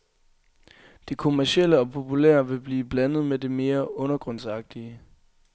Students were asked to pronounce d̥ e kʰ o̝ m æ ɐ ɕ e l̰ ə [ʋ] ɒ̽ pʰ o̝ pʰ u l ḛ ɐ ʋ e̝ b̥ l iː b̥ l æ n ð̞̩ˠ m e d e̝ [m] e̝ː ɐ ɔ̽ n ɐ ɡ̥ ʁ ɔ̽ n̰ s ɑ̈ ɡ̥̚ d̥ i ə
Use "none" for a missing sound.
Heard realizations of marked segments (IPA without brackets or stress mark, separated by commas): none, m